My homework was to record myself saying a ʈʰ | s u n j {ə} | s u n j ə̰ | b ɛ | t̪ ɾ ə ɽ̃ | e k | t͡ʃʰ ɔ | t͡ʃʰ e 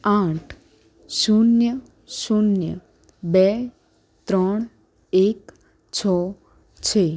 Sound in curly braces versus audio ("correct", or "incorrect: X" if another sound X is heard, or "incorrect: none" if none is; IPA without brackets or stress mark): correct